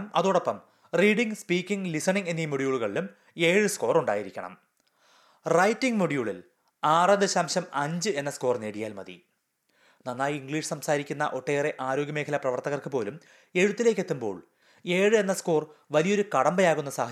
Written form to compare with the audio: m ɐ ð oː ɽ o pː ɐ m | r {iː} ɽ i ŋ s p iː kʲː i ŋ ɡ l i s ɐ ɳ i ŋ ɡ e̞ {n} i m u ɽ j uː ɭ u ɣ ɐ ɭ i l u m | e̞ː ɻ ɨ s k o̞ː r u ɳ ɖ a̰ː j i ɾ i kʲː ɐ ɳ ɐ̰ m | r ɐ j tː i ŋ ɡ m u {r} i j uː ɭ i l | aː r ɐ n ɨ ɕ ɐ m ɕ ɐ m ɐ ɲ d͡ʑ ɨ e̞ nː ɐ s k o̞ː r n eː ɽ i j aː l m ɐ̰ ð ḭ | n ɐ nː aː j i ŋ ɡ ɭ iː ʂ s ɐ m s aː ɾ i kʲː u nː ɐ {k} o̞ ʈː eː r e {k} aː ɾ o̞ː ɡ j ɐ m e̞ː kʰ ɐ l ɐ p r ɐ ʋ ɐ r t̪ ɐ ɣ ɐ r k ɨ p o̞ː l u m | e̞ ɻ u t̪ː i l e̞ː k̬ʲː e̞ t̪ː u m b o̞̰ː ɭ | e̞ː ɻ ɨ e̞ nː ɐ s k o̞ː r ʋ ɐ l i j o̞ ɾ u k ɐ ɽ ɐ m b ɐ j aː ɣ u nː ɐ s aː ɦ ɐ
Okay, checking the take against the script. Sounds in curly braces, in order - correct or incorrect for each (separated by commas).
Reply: correct, incorrect, incorrect, incorrect, incorrect